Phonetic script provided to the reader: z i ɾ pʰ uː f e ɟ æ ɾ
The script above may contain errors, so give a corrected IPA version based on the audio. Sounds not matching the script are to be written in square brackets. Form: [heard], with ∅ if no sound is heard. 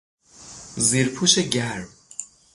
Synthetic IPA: z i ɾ pʰ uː [ʃ] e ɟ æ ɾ